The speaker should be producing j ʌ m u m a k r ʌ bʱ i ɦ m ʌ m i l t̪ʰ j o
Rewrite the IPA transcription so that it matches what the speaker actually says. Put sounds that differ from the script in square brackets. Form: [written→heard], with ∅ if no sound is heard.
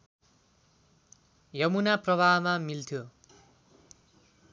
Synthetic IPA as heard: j ʌ m u [m→n] a [k→p] r ʌ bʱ [i→a] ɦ m [ʌ→a] m i l t̪ʰ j o